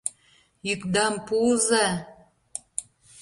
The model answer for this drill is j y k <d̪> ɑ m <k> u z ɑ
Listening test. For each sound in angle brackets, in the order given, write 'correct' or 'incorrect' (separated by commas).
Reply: correct, incorrect